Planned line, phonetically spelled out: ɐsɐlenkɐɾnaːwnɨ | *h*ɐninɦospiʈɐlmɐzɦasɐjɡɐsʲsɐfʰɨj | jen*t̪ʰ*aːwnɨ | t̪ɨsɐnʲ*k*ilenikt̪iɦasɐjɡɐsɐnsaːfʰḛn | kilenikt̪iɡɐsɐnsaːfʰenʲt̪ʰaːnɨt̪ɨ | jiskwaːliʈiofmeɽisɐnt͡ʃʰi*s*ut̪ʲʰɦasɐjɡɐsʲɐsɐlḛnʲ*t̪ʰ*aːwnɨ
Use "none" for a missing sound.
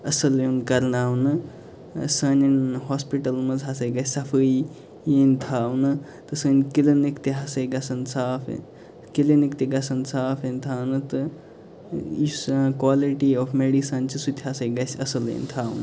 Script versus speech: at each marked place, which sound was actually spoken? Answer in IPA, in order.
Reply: s, t̪ʰ, k, s, t̪ʰ

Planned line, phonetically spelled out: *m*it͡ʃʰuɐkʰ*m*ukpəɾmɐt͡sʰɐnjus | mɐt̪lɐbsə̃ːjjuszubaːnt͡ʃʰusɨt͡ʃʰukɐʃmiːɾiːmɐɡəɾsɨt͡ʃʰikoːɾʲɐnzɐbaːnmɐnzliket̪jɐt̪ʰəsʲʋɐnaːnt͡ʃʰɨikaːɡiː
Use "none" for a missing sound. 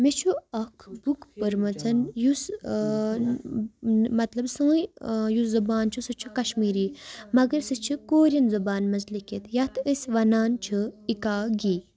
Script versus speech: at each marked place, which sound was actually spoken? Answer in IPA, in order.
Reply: m, b

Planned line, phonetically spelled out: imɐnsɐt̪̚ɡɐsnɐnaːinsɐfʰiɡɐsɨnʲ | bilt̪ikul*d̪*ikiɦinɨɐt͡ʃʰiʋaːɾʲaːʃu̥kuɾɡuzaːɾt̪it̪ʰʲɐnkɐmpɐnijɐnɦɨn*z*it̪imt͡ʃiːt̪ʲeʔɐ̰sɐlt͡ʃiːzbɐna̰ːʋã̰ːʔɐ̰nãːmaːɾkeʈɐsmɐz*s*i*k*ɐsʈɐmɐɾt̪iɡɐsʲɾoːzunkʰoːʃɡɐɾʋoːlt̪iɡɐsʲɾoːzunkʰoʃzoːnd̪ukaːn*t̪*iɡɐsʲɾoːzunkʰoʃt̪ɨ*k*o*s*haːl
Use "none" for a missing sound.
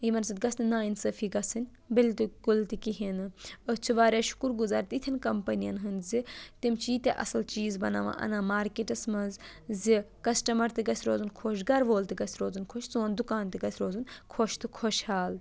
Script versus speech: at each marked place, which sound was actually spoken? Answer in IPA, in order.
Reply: t̪, z, z, k, t̪, kʰ, ʃ

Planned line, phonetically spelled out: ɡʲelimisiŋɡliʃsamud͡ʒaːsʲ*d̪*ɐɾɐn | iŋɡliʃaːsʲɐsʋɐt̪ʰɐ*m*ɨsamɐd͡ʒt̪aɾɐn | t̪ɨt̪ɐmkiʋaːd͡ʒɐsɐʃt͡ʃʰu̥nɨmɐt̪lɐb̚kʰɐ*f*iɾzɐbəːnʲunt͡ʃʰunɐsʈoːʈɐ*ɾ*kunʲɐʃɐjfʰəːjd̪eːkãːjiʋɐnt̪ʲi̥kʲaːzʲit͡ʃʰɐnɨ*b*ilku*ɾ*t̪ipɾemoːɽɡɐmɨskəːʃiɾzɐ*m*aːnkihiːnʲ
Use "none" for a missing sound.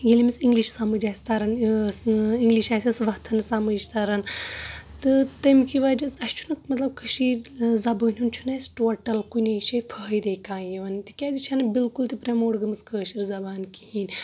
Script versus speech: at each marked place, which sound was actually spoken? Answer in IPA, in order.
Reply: t̪, n, ʃ, l, b, l, b

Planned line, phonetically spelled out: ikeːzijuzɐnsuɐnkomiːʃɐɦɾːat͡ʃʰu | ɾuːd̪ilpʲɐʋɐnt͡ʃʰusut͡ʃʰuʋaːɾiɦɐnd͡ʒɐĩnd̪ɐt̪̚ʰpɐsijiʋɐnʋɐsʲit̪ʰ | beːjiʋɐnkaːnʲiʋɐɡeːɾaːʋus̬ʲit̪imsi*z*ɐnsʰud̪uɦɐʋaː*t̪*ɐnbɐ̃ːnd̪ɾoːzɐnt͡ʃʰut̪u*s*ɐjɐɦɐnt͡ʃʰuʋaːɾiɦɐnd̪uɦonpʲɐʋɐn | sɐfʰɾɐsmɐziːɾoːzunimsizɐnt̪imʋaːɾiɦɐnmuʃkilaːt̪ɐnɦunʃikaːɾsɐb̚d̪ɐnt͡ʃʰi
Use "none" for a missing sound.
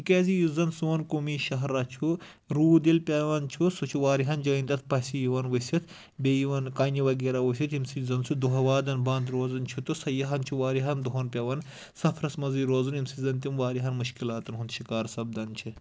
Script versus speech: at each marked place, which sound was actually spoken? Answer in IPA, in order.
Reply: z, d̪, s

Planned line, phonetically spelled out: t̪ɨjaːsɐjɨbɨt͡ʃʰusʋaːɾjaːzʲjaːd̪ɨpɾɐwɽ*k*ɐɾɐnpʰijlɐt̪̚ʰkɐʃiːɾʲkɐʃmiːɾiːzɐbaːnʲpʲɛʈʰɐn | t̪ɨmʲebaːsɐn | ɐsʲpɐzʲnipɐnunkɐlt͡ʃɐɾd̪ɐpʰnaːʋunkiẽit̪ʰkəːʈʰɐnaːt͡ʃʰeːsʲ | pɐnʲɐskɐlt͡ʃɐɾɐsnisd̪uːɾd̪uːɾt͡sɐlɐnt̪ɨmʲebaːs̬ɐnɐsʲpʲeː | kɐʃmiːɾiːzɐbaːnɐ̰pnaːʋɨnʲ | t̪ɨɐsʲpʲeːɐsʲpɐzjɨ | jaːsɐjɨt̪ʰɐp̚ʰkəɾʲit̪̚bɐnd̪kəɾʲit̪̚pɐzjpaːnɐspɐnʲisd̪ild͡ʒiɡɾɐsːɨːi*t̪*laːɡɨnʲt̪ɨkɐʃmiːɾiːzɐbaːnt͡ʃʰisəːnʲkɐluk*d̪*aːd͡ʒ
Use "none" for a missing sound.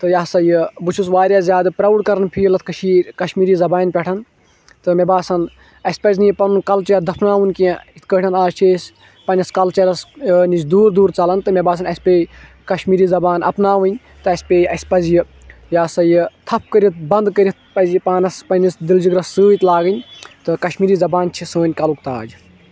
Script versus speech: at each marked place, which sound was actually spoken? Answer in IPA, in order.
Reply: k, t̪, t̪

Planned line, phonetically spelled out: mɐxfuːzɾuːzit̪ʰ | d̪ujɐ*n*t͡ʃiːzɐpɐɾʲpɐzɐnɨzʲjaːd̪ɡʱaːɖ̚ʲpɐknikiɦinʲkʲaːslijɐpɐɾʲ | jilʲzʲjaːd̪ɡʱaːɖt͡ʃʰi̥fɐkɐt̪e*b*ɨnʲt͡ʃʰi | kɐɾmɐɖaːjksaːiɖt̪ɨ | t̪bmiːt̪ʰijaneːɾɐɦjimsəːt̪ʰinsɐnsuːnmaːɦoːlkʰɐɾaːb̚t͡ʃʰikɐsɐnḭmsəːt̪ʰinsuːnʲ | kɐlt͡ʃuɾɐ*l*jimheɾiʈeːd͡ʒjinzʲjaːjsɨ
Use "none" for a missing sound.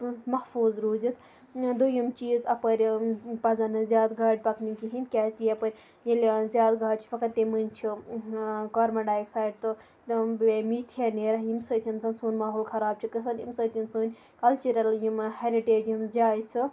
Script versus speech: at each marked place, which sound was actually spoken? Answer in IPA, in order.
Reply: m, m, l

